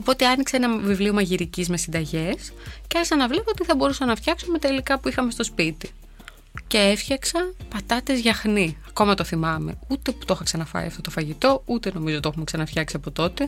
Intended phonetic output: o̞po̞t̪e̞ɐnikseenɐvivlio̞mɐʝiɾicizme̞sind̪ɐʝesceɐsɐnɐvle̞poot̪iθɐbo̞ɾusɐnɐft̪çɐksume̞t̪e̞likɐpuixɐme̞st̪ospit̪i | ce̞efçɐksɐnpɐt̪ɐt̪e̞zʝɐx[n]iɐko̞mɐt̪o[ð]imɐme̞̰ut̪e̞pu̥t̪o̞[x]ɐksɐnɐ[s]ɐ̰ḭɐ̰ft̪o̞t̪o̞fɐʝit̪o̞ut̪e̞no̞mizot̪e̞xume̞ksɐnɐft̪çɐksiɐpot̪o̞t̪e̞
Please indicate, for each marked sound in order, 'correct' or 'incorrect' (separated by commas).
correct, incorrect, correct, incorrect